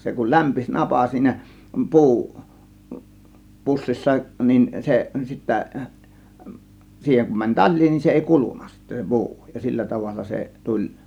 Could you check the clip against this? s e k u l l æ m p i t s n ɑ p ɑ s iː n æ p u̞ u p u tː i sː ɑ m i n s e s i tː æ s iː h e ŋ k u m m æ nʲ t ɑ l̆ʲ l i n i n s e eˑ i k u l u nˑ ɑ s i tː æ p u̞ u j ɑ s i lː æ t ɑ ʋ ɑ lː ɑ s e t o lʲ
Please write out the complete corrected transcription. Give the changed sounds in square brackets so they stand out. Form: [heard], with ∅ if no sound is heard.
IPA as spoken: s e k u l l æ m p i [∅] s n ɑ p ɑ s iː n æ p u̞ u p u [sː] i sː ɑ [n] i n s e s i tː æ s iː h e ŋ k u m m æ nʲ t ɑ l̆ʲ l [iː] n i n s e eˑ i k u l u nˑ ɑ s i tː æ p u̞ u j ɑ s i lː æ t ɑ ʋ ɑ lː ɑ s e t [u] lʲ

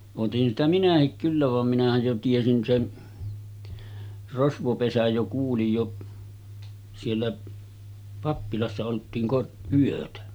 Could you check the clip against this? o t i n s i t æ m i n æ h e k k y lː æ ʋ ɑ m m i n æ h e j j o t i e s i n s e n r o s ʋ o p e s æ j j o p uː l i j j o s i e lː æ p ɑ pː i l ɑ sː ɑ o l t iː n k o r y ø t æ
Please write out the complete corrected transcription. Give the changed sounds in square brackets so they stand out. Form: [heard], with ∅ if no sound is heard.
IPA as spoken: o t i n s i t æ m i n æ h [i] k k y lː æ ʋ ɑ m m i n æ h [æ] j j o t i e s i n s e n r o s ʋ o p e s æ j j o [k] uː l i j j o s i e lː æ p ɑ pː i l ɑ sː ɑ o l t iː n k o r y ø t æ

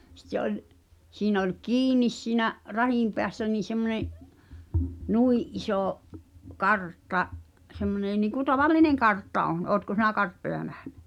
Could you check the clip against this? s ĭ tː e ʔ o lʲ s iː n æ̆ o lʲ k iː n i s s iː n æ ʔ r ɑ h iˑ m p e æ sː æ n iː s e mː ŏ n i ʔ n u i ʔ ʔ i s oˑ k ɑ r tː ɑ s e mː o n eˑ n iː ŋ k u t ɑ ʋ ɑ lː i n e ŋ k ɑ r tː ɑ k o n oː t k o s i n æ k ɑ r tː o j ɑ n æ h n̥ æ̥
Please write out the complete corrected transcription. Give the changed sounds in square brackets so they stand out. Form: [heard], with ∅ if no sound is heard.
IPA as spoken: s ĭ tː e ʔ o lʲ s iː n æ̆ o lʲ k iː n i s s iː n æ ʔ r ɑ h iˑ m p e æ sː æ n iː s e mː ŏ n [e] ʔ n u i ʔ ʔ i s oˑ k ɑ r tː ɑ s e mː o n eˑ n iː ŋ k u t ɑ ʋ ɑ lː i n e ŋ k ɑ r tː ɑ [ʔ] o n oː t k o s i n æ k ɑ r tː o j ɑ n æ h n̥ æ̥

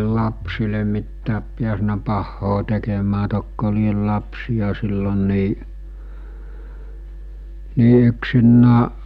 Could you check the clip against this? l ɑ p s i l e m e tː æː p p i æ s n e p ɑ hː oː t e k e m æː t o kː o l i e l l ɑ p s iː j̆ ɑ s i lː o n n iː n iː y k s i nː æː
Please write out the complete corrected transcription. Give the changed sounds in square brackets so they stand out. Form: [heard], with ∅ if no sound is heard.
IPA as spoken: l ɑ p s i l e m [i] tː æː p p i æ s n [æ] p ɑ hː oː t e k e m æː t o kː o l i e l l ɑ p s [i] j̆ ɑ s i lː o n n iː n iː y k s i nː æː

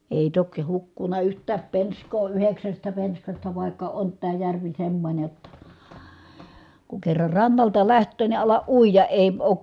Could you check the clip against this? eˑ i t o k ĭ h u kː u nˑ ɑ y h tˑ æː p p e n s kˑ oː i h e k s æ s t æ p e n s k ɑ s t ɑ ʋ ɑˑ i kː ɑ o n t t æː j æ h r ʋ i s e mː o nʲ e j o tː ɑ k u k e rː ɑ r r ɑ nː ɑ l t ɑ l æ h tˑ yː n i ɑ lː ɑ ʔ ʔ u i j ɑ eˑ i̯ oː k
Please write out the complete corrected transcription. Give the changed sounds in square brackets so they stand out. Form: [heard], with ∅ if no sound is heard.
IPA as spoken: eˑ i t o k ĭ h u kː u nˑ ɑ y h tˑ æː p p e n s kˑ oː [y] h e k s æ s t æ p e n s k ɑ s t ɑ ʋ ɑˑ i kː ɑ o n t t æː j æ [∅] r ʋ i s e mː o nʲ e j o tː ɑ k u k e rː ɑ r r ɑ nː ɑ l t ɑ l æ h tˑ [øː] n i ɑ [l] ɑ ʔ ʔ u i j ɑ eˑ i̯ oː k

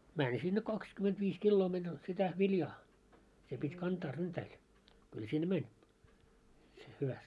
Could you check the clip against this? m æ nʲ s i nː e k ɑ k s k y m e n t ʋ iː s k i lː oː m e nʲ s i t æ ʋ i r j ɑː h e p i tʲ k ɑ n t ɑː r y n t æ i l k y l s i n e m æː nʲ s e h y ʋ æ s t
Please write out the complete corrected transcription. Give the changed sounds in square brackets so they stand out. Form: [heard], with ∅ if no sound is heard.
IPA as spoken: m æ nʲ s i nː e k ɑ k s k y m e n t ʋ iː s k i lː oː m e nʲ s i t æ ʋ i [l] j ɑː [s] e p i tʲ k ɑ n t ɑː r y n t æ i l k y l s i [nː] e m [æ] nʲ s e h y ʋ æ s t

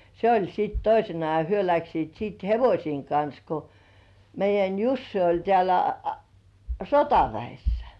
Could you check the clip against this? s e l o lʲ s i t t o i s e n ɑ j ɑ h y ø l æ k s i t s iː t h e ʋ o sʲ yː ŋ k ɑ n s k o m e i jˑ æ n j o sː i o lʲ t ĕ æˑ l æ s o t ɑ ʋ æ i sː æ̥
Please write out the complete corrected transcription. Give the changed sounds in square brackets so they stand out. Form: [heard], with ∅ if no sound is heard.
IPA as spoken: s e [∅] o lʲ s i t t o i s e n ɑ j ɑ h y ø l æ k s [iː] t s iː t h e ʋ o sʲ [iː] ŋ k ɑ n s k o m e i jˑ æ n j [u] sː i o lʲ t ĕ æˑ l æ s o t ɑ ʋ æ i sː æ̥

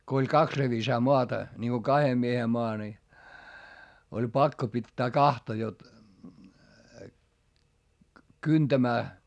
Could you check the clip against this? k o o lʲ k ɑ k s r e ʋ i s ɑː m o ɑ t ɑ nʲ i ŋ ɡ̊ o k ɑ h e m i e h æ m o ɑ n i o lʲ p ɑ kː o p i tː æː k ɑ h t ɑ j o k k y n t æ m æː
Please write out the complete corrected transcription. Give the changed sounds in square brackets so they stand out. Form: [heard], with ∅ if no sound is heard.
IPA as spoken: k o o lʲ k ɑ k s r e ʋ i s ɑː m o ɑ t ɑ nʲ i ŋ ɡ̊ o k ɑ h e m i e h [e] m o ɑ n i o lʲ p ɑ kː o p i tː æː k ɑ h t ɑ j o [t] k y n t æ m æː

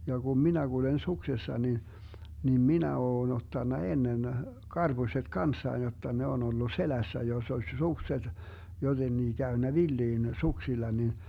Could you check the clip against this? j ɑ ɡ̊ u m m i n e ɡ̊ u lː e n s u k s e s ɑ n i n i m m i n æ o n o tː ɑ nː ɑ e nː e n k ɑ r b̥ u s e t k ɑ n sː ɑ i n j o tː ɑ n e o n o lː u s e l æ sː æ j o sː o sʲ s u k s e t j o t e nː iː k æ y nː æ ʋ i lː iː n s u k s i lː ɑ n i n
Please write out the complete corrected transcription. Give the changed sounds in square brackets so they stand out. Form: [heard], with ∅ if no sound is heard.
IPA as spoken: j ɑ ɡ̊ u m m i n [æ] ɡ̊ u [l] e n s u k s e [sː] ɑ n i n i m m i n æ [oː] n o tː ɑ nː ɑ e nː e n k ɑ r b̥ u s e t k ɑ n sː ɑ i n j o tː ɑ n e o n o lː u s e l æ sː æ j o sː o sʲ s u k s e t j o t e nː iː k æ y nː æ ʋ i lː iː n s u k s i lː ɑ n i n

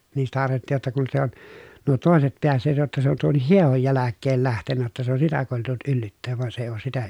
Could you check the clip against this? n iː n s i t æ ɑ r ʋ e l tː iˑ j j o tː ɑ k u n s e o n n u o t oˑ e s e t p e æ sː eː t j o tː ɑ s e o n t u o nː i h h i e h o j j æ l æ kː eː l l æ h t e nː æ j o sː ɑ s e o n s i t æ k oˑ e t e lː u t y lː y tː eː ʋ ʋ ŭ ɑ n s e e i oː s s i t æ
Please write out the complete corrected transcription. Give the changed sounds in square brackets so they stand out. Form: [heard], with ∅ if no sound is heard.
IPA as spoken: n iː n s i t æ ɑ r ʋ e l tː iˑ j j o tː ɑ k u n s e o n n u o t oˑ e s e t p e æ sː eː t j o tː ɑ s e o n t u o nː i h h i e h o j j æ l æ kː eː l l æ h t e nː æ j o [tː] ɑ s e o n s i t æ k oˑ e t e lː u t y lː y tː eː ʋ ʋ ŭ ɑ n s e e i oː s s i t æ

